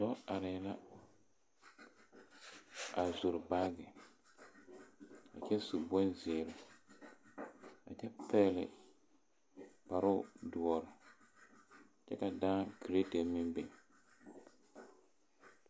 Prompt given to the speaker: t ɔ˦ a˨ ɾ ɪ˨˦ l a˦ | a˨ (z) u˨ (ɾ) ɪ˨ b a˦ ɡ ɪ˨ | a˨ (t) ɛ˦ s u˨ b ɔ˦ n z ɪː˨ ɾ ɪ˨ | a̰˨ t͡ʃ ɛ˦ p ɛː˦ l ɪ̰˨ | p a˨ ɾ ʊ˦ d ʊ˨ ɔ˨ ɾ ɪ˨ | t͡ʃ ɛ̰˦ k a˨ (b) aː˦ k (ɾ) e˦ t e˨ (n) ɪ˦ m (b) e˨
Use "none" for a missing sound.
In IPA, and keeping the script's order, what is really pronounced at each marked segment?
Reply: z, ɾ, t͡ʃ, d, ɾ, m, b

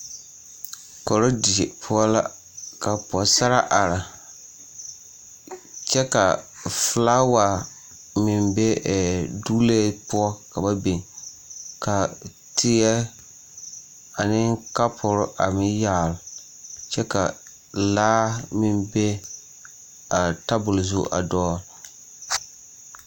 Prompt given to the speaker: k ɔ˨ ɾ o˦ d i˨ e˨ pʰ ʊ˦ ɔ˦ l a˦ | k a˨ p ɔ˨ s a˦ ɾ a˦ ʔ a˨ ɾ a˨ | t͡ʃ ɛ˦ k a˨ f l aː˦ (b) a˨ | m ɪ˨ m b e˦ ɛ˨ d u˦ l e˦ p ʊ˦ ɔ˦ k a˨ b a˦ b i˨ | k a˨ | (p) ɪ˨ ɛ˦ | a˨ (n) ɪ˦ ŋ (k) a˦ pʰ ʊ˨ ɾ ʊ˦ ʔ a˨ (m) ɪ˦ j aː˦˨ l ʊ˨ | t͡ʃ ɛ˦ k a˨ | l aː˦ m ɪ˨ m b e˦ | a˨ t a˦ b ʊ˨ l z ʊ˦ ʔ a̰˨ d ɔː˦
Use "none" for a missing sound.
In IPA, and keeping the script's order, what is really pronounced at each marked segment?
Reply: w, t, n, k, m

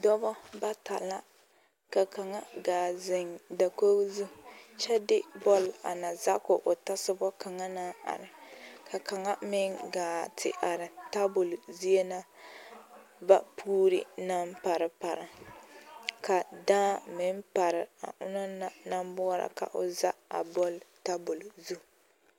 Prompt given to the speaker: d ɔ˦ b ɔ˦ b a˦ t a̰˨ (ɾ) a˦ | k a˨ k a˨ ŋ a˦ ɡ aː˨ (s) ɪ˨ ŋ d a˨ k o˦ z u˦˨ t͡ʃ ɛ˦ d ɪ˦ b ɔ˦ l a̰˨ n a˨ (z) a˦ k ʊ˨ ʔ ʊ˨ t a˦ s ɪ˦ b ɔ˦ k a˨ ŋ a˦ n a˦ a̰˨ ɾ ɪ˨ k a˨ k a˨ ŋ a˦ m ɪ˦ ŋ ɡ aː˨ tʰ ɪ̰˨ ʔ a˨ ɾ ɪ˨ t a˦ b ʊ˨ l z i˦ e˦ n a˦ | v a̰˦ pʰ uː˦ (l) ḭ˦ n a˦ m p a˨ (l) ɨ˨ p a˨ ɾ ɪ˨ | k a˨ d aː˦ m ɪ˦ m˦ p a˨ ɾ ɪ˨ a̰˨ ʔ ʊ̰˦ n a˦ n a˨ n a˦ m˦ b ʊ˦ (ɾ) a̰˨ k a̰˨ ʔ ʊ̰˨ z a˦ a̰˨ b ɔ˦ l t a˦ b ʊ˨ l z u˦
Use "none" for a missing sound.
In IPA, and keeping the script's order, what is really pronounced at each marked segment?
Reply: l, z, z, ɾ, ɾ, ɾ

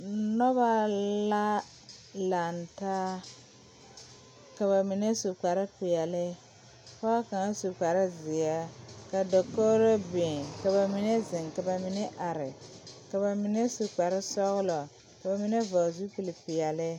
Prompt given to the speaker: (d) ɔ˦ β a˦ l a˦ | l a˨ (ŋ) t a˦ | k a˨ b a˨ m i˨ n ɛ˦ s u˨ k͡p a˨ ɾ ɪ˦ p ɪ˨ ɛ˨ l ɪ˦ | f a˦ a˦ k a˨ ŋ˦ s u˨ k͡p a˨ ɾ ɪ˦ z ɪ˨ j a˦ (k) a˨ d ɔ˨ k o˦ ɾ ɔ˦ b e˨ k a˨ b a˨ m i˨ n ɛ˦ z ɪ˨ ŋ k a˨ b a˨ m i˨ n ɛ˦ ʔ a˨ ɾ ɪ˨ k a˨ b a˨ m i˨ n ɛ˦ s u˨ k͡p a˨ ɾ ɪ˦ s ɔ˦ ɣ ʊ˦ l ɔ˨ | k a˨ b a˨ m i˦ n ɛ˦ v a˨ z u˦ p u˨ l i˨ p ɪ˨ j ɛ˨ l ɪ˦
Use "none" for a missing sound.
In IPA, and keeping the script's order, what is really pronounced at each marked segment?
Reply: n, n, k

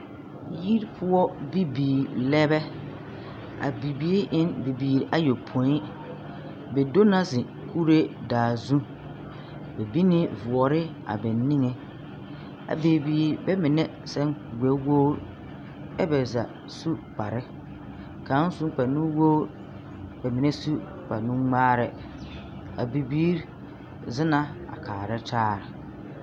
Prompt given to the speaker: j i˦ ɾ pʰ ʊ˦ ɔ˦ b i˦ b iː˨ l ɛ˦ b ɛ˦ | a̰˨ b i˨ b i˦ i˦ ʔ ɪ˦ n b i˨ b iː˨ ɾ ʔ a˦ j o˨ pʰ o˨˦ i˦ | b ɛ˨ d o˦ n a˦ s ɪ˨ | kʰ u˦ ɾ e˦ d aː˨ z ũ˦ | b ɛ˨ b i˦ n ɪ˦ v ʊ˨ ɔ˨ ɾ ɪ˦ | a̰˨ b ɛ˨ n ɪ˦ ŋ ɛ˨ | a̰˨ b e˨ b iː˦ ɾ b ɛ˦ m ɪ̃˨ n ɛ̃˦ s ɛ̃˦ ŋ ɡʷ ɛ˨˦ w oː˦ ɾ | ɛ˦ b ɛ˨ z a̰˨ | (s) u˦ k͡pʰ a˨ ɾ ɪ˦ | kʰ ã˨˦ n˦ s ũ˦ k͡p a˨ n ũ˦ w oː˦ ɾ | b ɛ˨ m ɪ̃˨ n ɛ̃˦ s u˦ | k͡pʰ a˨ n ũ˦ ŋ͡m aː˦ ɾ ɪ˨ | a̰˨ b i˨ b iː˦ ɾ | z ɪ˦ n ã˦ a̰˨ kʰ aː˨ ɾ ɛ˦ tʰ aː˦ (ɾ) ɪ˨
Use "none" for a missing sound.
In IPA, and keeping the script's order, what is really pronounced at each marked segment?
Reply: s, ɾ

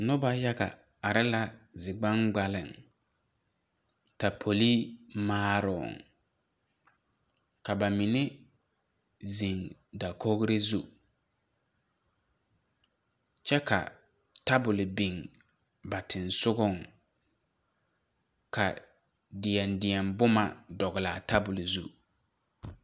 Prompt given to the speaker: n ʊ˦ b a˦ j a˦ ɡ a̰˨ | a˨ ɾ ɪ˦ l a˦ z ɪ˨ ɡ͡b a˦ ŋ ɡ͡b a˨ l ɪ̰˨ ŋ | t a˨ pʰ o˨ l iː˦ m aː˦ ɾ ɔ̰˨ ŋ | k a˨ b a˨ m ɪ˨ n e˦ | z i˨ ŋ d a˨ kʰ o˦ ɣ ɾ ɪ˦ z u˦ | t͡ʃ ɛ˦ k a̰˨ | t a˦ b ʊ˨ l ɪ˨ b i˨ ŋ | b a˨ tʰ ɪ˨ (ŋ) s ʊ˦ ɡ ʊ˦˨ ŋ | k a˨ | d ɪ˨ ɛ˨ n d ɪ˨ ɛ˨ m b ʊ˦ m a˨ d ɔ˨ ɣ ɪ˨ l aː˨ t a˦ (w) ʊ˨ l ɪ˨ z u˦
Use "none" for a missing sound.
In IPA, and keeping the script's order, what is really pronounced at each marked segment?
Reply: n, b

